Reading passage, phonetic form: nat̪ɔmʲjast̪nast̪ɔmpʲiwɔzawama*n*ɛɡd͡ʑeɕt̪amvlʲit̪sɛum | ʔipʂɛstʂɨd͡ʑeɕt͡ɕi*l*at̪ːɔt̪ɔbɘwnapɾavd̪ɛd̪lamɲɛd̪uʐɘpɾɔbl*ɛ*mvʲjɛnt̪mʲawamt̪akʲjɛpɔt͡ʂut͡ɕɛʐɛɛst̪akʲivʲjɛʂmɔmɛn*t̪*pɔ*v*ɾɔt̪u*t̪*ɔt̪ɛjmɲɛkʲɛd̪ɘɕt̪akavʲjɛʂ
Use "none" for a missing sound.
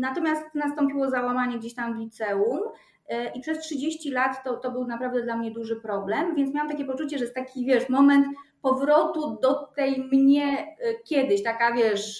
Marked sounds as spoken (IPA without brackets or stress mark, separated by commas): ɲ, l, ɛ, t̪, v, d̪